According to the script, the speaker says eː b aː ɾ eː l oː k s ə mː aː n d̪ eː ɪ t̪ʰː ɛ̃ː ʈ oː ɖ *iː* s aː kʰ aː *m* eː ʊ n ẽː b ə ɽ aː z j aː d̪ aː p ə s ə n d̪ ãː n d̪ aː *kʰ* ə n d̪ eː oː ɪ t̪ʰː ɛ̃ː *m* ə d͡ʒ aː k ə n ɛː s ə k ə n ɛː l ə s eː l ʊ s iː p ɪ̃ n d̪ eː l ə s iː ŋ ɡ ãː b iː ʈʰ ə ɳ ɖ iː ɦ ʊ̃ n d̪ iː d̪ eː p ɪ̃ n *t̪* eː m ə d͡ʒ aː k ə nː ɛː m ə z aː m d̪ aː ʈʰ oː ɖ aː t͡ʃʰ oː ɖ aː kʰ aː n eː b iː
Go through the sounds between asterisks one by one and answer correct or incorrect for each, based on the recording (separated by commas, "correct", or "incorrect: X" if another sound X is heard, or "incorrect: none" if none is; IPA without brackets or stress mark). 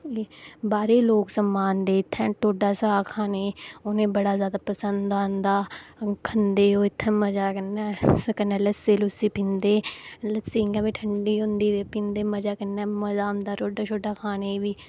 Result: incorrect: aː, incorrect: n, correct, correct, incorrect: d̪